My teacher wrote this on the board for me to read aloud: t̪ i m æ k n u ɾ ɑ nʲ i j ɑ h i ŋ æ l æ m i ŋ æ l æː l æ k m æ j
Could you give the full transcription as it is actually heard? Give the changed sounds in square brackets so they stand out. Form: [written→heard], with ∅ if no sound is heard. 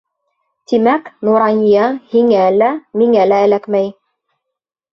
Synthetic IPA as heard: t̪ i m æ k n u ɾ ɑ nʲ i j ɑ h i ŋ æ l æ m i ŋ æ l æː l æ k m æ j